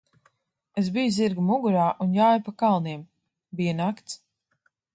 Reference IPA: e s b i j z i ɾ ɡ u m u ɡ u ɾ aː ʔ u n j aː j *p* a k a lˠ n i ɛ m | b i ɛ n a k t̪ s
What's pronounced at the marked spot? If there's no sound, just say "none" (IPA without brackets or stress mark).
p